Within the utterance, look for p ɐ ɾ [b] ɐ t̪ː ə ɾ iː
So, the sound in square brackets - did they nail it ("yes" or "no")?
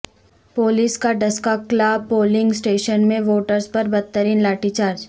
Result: yes